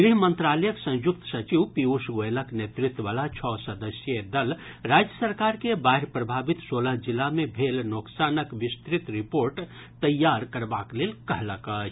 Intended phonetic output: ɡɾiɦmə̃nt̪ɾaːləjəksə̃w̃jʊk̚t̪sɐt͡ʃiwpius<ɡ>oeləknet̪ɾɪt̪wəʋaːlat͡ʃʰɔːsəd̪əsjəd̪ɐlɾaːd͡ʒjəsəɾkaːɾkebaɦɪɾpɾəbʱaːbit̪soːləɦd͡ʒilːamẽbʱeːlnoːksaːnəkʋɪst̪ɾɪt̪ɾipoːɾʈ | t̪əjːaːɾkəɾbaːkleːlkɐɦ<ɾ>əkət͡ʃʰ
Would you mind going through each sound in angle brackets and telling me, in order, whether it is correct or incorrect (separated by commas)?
correct, incorrect